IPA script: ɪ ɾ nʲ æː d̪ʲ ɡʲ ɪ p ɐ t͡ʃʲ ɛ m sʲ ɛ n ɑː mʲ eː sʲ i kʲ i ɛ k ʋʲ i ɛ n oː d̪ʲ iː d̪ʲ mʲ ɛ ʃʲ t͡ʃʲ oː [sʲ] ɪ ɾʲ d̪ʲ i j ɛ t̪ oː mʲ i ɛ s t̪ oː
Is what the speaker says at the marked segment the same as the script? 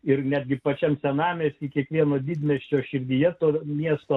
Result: no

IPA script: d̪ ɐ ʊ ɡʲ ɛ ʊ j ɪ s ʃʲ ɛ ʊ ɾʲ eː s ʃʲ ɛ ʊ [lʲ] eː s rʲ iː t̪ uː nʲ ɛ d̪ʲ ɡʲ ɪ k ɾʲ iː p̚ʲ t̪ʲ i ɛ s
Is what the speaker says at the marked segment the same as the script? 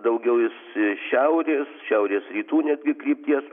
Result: no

